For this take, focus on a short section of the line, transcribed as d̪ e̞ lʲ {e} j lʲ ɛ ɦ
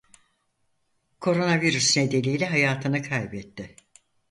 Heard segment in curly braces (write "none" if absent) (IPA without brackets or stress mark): i